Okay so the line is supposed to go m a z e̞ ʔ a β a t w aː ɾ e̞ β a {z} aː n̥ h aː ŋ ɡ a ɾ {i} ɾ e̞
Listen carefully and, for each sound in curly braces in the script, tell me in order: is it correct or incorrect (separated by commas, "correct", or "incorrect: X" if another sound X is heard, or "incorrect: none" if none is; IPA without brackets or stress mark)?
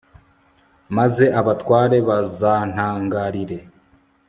correct, correct